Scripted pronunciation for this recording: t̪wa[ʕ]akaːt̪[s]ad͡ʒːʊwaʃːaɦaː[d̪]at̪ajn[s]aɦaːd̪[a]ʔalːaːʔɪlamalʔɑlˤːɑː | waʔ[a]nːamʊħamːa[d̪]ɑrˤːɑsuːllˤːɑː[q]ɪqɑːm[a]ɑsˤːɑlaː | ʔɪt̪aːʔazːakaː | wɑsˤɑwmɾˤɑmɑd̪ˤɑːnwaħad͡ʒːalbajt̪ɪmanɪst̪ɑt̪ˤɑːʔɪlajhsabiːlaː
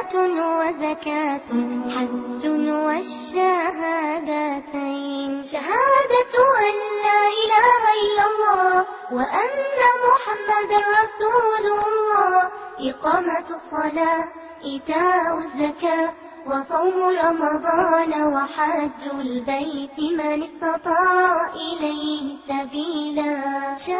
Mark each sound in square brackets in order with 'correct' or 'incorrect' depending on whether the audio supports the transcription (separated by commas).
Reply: incorrect, incorrect, correct, incorrect, correct, correct, correct, incorrect, correct